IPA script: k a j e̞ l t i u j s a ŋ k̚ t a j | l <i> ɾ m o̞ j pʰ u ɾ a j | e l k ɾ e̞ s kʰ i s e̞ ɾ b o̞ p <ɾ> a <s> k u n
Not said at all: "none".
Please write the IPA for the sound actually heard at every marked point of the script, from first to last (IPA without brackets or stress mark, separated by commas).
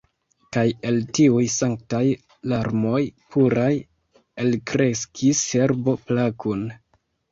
a, l, none